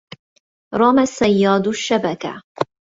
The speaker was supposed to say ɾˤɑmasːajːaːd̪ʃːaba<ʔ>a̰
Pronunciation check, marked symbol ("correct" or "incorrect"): incorrect